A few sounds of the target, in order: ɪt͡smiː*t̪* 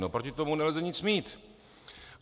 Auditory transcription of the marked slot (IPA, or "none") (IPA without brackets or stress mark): t̪